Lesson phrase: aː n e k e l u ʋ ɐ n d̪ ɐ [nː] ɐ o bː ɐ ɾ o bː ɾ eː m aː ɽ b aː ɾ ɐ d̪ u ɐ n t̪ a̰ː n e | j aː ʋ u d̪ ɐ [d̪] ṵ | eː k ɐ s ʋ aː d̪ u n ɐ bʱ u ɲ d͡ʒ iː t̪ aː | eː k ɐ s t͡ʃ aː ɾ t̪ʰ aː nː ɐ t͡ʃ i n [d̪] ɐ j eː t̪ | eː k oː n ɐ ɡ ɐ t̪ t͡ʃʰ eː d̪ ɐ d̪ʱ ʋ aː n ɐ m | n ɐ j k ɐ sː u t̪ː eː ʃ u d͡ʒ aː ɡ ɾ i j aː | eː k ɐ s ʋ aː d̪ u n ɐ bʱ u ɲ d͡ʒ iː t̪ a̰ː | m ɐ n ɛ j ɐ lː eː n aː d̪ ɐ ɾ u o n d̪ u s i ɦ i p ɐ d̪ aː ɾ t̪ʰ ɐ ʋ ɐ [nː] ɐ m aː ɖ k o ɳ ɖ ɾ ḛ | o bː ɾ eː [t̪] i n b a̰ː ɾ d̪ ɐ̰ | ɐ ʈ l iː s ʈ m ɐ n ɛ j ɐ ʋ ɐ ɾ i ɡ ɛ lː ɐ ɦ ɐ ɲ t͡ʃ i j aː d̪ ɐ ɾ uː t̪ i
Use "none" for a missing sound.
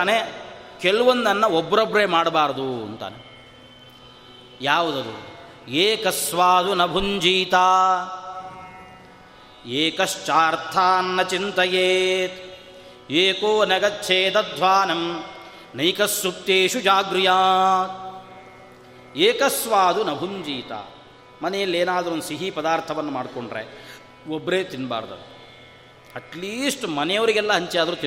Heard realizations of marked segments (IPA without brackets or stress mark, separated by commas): nː, d̪, t̪, nː, t̪